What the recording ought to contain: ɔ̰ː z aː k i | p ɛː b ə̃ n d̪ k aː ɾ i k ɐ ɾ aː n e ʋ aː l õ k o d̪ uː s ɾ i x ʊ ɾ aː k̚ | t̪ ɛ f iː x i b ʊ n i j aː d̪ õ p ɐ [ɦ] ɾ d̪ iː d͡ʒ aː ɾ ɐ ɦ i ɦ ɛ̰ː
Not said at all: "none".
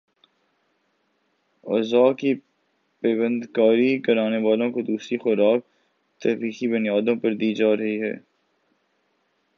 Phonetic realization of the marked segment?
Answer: none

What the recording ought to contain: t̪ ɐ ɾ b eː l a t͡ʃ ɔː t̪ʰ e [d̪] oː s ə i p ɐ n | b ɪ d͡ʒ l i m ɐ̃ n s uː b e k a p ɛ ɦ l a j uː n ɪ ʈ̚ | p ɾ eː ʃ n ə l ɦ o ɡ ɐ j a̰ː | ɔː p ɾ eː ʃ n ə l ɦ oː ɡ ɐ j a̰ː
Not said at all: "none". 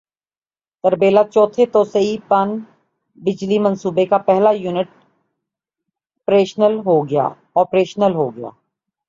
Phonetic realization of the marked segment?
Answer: t̪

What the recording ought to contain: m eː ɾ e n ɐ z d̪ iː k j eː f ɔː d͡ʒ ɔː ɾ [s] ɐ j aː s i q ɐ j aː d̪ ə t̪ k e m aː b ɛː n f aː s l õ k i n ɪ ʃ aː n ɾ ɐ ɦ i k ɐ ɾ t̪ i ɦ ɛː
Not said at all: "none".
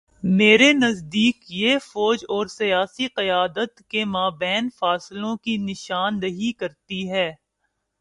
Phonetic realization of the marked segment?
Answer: s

